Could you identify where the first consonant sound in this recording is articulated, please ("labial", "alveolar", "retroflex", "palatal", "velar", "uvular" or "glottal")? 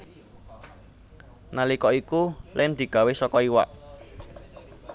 alveolar